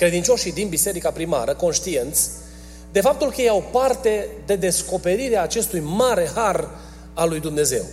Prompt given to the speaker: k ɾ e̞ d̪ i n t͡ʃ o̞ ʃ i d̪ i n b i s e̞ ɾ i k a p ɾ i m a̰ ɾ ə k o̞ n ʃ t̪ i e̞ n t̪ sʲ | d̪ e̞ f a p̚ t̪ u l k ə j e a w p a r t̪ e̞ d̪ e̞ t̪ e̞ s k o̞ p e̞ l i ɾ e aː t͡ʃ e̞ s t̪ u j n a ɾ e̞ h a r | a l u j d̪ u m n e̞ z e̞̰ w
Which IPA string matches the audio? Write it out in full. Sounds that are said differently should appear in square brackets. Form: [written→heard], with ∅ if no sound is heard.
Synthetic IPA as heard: k ɾ e̞ d̪ i n t͡ʃ o̞ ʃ i d̪ i n b i s e̞ ɾ i k a p ɾ i m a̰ ɾ ə k o̞ n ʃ t̪ i e̞ n t̪ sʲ | d̪ e̞ f a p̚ t̪ u l k ə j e a w p a r t̪ e̞ d̪ e̞ [t̪→d̪] e̞ s k o̞ p e̞ [l→ɾ] i ɾ e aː t͡ʃ e̞ s t̪ u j [n→m] a ɾ e̞ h a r | a l u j d̪ u m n e̞ z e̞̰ w